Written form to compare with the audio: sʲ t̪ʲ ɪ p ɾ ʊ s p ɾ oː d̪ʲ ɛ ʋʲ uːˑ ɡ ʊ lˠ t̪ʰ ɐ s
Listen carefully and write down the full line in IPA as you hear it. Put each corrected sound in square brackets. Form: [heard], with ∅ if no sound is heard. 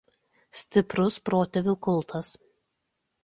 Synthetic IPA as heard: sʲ t̪ʲ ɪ p ɾ ʊ s p ɾ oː [t̪ʲ] ɛ ʋʲ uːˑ [k] ʊ lˠ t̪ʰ ɐ s

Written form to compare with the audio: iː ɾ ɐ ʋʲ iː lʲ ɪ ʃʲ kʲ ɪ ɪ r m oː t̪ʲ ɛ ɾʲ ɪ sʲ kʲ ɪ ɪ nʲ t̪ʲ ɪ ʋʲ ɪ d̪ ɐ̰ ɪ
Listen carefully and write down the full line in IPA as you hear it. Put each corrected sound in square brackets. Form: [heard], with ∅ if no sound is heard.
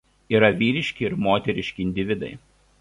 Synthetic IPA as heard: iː ɾ ɐ ʋʲ iː [ɾʲ] ɪ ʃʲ kʲ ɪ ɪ [ɾ] m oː t̪ʲ ɛ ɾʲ ɪ [ʃʲ] kʲ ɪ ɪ nʲ [d̪ʲ] ɪ ʋʲ ɪ d̪ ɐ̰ ɪ

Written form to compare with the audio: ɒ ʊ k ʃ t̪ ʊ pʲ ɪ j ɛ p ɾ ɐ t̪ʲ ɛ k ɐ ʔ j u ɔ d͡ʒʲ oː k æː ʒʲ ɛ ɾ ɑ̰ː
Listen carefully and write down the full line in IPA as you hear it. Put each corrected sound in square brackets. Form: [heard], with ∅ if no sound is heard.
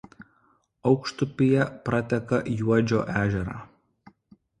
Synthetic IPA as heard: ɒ ʊ k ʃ t̪ ʊ pʲ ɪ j ɛ p ɾ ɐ t̪ʲ ɛ k ɐ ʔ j u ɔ d͡ʒʲ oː [ʔ] æː ʒʲ ɛ ɾ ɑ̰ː

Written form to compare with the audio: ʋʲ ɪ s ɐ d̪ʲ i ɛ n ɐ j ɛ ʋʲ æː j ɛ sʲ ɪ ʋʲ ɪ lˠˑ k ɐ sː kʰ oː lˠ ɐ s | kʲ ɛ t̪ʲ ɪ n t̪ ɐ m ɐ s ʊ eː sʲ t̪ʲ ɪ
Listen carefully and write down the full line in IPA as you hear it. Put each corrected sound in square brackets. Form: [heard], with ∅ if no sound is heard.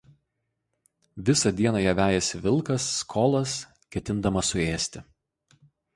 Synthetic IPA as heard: ʋʲ ɪ s ɐ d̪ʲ i ɛ n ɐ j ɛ ʋʲ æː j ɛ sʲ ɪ ʋʲ ɪ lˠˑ k ɐ sː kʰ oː lˠ ɐ s | kʲ ɛ t̪ʲ ɪ n [d̪] ɐ m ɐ s ʊ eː sʲ t̪ʲ ɪ

